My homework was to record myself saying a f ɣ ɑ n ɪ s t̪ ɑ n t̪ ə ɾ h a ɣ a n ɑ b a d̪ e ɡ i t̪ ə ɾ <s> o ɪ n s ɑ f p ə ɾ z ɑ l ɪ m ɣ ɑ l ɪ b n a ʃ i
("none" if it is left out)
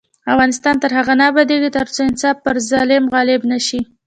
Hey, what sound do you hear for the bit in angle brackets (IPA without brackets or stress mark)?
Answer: t͡s